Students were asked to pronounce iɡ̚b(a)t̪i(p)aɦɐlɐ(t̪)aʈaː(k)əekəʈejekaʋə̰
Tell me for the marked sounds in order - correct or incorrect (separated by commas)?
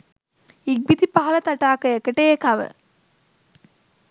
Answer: incorrect, correct, correct, correct